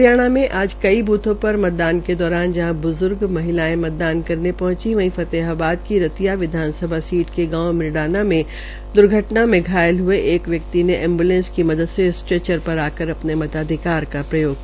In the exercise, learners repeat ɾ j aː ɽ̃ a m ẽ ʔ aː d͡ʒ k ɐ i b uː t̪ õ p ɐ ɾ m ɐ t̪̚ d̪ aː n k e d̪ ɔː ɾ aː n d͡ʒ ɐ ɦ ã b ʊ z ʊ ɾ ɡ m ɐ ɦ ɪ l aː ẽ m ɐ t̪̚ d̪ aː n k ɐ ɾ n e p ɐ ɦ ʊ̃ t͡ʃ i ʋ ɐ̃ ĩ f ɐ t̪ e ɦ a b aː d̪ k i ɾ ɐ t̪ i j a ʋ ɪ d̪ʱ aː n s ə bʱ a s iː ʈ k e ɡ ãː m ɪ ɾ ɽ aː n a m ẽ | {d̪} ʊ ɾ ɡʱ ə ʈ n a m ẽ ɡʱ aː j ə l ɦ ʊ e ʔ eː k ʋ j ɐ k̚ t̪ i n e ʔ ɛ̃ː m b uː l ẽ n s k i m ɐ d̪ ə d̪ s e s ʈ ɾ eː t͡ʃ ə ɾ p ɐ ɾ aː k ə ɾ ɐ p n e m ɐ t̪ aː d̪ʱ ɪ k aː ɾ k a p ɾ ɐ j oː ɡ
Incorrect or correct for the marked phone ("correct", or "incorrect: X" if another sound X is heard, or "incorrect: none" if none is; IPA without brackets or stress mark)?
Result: correct